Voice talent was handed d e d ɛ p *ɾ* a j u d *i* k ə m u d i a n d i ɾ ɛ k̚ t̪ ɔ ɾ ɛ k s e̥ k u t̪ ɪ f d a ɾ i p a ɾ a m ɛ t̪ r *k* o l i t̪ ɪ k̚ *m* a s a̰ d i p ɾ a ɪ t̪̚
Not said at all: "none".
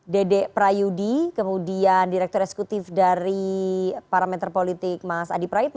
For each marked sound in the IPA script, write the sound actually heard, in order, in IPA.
ɾ, i, p, m

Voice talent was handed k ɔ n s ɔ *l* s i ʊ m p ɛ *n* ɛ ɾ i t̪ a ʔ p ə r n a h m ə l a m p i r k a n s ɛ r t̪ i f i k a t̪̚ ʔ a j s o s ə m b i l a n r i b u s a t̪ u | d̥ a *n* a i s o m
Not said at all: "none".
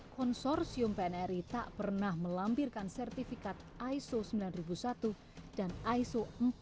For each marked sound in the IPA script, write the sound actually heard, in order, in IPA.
r, n, n

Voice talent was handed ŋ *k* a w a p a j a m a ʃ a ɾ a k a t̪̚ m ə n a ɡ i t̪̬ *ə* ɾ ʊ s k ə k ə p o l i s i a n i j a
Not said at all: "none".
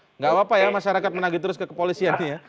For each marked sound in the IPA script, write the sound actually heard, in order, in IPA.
ɡ, ə

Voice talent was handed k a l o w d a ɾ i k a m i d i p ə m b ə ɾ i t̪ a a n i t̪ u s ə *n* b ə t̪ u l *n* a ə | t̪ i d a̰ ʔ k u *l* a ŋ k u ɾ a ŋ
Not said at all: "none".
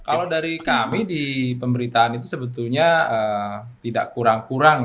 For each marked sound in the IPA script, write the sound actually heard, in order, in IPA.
none, ɲ, ɾ

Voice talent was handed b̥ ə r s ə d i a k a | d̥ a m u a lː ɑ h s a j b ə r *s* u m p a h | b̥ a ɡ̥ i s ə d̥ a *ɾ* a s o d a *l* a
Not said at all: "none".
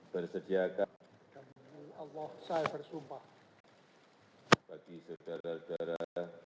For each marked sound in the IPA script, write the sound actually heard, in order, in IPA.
s, ɾ, ɾ

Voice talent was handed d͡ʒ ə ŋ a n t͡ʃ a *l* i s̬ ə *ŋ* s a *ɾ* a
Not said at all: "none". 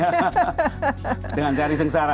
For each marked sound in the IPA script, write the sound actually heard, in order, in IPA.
ɾ, ŋ, ɾ

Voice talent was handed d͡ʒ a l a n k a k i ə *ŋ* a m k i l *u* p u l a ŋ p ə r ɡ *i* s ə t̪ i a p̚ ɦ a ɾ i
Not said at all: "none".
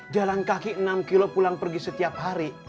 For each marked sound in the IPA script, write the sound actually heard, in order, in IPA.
n, o, i

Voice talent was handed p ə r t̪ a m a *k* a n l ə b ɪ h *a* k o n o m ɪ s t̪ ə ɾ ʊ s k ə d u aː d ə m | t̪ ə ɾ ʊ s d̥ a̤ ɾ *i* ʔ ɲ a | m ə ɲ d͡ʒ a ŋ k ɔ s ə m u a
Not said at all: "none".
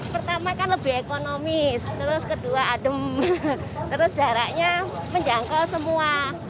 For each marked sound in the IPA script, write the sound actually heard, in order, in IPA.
k, e, a

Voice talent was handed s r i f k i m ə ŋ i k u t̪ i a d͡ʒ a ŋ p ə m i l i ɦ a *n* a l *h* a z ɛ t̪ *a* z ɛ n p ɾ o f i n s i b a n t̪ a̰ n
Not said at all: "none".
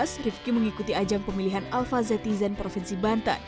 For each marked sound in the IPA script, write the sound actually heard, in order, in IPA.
n, f, i

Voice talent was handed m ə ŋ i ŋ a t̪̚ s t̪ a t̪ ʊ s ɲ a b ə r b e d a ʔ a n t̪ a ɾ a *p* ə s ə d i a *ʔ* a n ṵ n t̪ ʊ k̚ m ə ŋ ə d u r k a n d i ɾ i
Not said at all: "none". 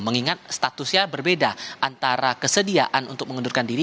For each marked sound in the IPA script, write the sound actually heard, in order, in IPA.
k, ʔ

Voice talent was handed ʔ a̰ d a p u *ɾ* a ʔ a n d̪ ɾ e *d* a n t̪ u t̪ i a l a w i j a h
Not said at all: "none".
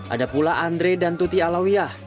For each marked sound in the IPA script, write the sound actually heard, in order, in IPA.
l, d

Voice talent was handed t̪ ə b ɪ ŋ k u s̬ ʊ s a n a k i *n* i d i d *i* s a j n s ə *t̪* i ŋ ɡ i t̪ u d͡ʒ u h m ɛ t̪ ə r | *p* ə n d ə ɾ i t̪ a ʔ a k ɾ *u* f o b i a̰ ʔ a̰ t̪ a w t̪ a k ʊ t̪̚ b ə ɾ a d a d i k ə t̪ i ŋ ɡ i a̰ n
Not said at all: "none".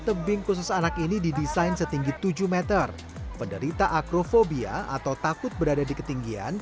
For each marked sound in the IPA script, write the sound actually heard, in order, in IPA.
n, i, t̪, p, o

